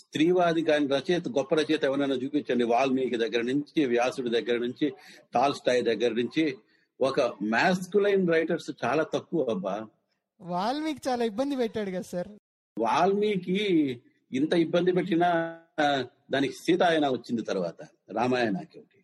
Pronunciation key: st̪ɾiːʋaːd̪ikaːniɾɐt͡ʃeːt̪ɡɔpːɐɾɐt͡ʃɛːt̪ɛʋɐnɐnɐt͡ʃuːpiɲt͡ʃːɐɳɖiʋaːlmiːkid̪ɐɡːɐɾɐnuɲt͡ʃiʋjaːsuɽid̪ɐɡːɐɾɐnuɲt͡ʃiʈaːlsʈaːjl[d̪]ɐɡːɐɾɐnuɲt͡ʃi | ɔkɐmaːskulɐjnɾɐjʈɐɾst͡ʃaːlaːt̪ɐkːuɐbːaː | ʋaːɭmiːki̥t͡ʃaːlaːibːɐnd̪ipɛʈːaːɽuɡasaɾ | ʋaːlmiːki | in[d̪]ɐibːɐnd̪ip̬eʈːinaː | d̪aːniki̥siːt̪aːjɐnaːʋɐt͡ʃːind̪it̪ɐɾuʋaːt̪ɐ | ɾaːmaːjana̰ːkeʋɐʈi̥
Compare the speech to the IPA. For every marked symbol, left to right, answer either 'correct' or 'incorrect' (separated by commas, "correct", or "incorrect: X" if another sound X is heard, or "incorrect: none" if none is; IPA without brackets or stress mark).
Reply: correct, incorrect: t̪